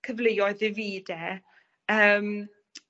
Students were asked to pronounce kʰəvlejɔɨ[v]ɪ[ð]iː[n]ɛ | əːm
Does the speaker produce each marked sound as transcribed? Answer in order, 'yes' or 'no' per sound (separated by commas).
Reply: no, no, no